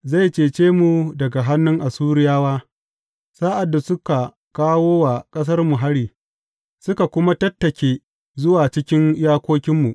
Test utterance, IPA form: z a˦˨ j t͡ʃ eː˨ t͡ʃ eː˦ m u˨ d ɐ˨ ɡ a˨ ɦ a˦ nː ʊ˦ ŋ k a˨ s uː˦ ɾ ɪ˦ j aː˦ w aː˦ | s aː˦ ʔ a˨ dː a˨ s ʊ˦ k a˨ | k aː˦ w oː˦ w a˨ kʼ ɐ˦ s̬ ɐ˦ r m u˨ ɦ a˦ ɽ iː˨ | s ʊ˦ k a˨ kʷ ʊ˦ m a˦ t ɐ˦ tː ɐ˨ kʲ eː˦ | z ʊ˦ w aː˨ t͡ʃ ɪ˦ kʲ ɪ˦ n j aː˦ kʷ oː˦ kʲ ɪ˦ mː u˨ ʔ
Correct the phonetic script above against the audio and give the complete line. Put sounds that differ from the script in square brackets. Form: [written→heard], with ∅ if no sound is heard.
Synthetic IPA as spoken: z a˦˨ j t͡ʃ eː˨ t͡ʃ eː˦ m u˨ d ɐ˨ ɡ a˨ ɦ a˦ nː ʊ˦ ŋ [k→ʔ] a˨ s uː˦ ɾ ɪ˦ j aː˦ w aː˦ | s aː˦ ʔ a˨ dː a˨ s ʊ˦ k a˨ | k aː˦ w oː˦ w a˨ kʼ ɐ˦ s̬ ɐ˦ r m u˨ ɦ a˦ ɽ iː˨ | s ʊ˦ k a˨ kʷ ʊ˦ m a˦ t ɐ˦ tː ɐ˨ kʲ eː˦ | z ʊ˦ w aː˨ t͡ʃ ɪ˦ kʲ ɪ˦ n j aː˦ kʷ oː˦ kʲ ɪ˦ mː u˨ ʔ